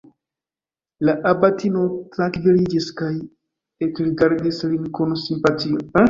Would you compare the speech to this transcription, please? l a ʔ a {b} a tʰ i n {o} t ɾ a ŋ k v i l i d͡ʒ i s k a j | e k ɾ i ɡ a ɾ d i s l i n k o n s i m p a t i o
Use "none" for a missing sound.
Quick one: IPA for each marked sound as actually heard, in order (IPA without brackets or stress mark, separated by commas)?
b, o